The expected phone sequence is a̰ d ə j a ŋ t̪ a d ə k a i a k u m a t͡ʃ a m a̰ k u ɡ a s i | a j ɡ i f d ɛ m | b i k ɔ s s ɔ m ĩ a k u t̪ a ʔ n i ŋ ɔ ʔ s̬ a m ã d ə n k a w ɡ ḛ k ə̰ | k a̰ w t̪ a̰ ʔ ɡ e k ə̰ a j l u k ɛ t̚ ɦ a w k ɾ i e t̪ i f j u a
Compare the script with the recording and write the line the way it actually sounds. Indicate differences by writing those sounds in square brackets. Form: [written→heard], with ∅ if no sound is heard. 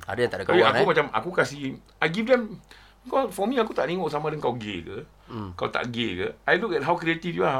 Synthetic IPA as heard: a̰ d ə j a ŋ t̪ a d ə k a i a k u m a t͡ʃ a m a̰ k u [ɡ→k] a s i | a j ɡ i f d ɛ m | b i k ɔ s [s→f] ɔ m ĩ a k u t̪ a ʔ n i ŋ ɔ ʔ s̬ a m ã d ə [n→ŋ] k a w ɡ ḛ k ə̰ | k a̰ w t̪ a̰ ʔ ɡ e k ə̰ a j l u k ɛ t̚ ɦ a w k ɾ i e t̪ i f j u a